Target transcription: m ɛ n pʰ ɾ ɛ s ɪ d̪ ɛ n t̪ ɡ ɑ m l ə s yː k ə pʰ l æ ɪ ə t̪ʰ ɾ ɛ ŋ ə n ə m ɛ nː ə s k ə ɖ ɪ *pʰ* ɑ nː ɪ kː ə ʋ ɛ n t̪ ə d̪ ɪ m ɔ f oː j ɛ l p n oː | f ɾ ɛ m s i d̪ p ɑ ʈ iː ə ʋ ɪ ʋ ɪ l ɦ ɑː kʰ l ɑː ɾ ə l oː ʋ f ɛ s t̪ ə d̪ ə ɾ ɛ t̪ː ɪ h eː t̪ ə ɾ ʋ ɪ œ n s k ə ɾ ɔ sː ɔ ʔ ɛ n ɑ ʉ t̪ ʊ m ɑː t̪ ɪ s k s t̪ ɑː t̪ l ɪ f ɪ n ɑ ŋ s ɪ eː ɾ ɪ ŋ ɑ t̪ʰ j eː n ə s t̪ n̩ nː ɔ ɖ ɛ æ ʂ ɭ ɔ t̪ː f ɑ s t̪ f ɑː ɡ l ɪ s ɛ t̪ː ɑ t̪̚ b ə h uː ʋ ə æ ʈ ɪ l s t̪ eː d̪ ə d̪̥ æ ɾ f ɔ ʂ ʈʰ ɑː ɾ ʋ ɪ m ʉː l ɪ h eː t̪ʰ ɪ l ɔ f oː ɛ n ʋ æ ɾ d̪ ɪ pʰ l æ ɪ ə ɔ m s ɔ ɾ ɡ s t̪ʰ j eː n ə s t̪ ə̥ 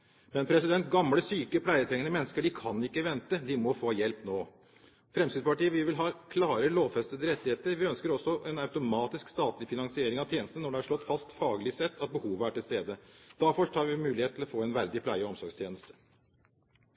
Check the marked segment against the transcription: incorrect: kʰ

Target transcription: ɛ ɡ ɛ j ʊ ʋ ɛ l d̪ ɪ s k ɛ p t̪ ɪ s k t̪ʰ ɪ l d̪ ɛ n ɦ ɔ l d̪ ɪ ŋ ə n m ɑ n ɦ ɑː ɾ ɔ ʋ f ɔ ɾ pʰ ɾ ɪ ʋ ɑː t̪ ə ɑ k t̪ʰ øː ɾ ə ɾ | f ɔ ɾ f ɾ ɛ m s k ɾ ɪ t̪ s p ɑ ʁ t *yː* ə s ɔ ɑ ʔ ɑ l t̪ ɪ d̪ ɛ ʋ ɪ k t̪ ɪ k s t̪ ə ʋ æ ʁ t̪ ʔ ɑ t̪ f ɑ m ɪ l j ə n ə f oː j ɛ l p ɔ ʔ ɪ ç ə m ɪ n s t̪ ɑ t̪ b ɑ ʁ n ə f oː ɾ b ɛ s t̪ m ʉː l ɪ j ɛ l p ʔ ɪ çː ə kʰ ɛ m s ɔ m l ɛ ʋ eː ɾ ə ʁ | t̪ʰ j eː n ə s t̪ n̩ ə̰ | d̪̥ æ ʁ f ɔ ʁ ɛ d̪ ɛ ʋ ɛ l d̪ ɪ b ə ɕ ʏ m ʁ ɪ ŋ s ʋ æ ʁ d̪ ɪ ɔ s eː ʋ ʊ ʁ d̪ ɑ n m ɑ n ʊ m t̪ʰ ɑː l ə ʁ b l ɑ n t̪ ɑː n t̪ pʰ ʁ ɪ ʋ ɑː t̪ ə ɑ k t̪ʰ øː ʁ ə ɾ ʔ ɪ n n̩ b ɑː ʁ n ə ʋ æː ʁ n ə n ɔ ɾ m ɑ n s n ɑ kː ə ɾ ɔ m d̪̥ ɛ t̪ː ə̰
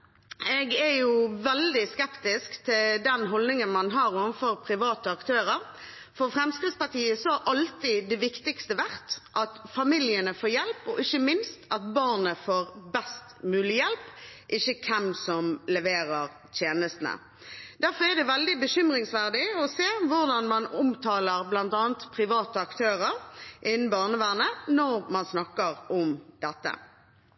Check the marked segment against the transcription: incorrect: iː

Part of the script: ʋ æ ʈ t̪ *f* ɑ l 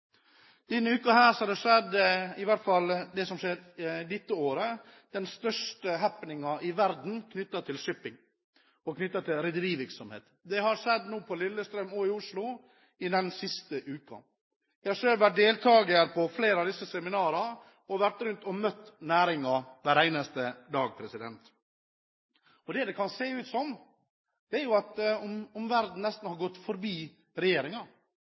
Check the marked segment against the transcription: correct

